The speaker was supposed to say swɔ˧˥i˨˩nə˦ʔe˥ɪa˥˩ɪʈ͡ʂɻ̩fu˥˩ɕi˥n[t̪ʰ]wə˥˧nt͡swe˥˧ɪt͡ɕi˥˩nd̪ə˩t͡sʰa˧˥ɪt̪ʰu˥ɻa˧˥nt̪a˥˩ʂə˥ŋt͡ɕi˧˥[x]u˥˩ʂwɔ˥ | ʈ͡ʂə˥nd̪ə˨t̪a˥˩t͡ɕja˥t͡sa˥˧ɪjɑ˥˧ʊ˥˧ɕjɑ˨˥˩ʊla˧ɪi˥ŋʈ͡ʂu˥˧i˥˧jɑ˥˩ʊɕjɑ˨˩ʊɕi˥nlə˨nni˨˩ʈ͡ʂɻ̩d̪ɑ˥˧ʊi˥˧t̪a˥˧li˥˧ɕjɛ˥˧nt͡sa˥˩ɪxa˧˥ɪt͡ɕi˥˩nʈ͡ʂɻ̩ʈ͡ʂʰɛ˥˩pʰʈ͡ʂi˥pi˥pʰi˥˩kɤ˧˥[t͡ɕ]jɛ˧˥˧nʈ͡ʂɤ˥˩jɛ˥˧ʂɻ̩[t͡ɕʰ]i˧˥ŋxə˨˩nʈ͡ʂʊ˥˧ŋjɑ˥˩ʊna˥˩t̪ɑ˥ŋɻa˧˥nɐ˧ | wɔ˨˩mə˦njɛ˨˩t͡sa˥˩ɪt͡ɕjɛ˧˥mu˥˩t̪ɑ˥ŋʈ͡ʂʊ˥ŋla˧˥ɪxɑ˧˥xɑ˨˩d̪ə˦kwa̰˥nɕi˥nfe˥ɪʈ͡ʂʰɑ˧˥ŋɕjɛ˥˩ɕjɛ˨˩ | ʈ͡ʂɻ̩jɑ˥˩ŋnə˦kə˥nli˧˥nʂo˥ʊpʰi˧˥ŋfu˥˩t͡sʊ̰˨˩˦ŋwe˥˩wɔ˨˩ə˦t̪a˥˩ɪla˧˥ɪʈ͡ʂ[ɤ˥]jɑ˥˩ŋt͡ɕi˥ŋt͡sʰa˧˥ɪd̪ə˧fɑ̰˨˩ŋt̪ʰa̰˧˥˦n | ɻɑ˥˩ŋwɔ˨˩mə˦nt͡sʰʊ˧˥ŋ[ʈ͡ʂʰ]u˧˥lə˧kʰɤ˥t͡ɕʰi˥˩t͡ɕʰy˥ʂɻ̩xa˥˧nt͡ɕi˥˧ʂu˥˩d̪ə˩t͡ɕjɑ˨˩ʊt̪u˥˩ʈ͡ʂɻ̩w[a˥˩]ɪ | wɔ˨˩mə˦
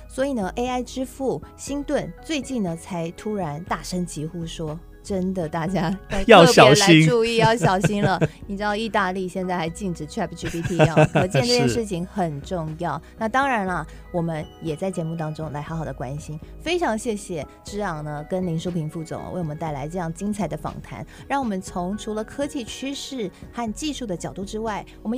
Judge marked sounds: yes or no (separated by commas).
no, yes, yes, yes, no, yes, yes